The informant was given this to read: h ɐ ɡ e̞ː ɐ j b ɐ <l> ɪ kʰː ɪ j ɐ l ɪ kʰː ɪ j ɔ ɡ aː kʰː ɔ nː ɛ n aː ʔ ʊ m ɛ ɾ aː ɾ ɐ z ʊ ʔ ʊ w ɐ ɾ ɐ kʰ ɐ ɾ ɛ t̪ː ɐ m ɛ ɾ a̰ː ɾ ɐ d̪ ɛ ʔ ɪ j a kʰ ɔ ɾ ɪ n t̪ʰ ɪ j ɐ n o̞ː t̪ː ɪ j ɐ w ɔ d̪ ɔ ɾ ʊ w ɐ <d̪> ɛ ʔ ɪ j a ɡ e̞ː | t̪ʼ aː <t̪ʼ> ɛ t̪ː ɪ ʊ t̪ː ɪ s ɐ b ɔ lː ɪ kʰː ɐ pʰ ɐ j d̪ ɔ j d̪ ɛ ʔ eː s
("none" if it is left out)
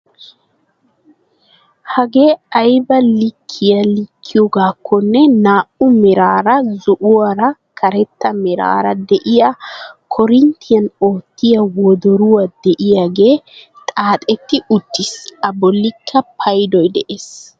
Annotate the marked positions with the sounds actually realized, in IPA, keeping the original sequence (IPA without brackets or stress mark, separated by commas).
l, d̪, t̪ʼ